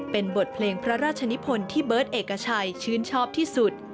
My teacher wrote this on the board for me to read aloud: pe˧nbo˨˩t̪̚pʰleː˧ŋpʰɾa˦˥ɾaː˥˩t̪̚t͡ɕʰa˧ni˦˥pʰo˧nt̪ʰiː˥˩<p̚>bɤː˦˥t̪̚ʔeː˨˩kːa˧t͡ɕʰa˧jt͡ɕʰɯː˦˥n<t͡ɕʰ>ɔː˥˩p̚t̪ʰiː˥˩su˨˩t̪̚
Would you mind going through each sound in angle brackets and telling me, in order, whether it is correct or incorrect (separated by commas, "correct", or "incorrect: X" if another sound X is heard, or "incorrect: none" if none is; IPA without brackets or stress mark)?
incorrect: none, correct